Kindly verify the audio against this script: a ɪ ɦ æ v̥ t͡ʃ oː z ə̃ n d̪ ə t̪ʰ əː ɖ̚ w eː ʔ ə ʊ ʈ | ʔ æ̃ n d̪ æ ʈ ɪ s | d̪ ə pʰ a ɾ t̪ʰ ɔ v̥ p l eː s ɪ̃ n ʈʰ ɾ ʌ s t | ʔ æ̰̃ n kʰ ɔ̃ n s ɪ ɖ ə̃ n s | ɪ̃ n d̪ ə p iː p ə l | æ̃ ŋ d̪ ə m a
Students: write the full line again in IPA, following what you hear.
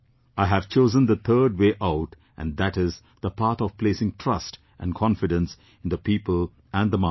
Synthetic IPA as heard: a ɪ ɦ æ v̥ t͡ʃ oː z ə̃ n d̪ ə t̪ʰ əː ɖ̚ w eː ʔ a ʊ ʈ | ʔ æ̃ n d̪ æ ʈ ɪ z | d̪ ə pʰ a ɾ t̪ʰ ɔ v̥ p l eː s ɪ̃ ŋ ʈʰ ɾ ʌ s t | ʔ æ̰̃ n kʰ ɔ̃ n f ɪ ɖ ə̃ n s | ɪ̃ n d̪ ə p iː p ə l | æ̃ n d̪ ə m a